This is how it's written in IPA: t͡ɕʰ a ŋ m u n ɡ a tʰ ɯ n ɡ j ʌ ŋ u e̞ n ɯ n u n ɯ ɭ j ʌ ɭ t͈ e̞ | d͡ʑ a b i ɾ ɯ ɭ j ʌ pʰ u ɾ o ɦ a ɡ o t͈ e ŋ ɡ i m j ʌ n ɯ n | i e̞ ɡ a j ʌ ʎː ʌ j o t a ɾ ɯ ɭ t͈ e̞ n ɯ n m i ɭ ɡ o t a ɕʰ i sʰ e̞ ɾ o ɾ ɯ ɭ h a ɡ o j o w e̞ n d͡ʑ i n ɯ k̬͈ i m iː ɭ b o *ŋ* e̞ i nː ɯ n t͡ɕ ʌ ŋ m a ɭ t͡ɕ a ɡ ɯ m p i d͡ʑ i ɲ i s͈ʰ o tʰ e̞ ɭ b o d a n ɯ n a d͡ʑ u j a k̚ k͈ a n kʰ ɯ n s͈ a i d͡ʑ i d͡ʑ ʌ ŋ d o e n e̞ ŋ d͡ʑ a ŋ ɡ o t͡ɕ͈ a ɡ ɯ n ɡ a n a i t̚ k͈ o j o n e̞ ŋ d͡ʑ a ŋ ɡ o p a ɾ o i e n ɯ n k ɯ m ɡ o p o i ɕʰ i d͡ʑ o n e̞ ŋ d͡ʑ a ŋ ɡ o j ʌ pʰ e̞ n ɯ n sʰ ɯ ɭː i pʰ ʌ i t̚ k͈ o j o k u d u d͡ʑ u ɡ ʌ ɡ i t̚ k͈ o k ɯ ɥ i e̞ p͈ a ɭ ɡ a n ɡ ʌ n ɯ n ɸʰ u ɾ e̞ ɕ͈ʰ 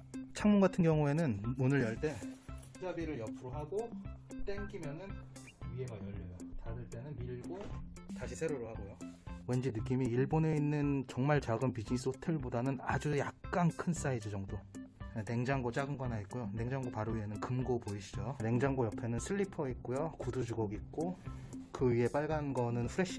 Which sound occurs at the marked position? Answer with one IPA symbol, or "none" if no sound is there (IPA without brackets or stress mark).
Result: n